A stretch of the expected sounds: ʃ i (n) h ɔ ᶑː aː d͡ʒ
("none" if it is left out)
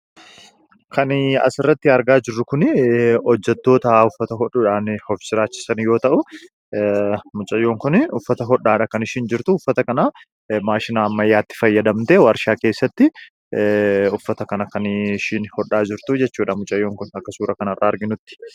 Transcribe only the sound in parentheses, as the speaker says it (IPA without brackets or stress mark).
n